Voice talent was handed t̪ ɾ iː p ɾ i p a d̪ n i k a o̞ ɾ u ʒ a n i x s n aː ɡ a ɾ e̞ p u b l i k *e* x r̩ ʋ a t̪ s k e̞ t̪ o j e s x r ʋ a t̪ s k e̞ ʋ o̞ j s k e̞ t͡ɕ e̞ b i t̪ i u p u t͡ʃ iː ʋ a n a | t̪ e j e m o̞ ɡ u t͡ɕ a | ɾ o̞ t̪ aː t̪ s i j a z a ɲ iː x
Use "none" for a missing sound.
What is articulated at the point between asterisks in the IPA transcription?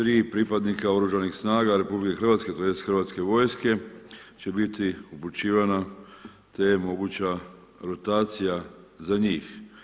e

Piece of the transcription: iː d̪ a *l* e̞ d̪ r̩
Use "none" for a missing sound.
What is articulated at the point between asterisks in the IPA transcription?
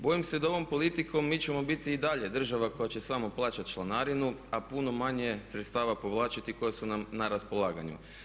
ʎ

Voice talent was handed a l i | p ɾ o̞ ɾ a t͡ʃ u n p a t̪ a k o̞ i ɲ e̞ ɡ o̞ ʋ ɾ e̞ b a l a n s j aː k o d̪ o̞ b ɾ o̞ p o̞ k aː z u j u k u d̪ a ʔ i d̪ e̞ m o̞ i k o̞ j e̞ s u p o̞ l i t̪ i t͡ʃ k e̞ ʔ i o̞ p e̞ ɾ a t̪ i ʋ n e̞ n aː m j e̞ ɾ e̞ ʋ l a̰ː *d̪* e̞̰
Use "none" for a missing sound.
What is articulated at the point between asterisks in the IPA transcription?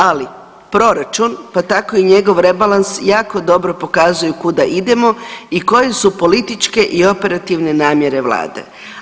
d̪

